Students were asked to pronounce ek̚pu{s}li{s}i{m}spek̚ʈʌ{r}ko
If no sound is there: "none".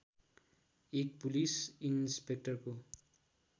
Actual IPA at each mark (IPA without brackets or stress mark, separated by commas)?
none, s, n, r